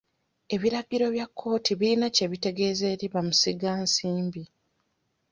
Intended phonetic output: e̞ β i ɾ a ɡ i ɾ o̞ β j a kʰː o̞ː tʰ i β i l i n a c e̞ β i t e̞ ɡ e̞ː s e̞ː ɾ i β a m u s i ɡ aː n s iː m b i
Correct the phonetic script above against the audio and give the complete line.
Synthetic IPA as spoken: e̞ β i ɾ a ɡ i ɾ o̞ β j a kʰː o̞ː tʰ i β i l i n a c e̞ β i t e̞ ɡ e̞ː z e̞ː ɾ i β a m u s i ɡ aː n s iː m b i